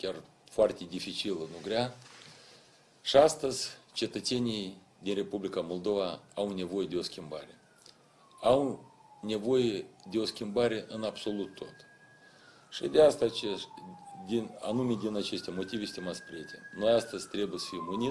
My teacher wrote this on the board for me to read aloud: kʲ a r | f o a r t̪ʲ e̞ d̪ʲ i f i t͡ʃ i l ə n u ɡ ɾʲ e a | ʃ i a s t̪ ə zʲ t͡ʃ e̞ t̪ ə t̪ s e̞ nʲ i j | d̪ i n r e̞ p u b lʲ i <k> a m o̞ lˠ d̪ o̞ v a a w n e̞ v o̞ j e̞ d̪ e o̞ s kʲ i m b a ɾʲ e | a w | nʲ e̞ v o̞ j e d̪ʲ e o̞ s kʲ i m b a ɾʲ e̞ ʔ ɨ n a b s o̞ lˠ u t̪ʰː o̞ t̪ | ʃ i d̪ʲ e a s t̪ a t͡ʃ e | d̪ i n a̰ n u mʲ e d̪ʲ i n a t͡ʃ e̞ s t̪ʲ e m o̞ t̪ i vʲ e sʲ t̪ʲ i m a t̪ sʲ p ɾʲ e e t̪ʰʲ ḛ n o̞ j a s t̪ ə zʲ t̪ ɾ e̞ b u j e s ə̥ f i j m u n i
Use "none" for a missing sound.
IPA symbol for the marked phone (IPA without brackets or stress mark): k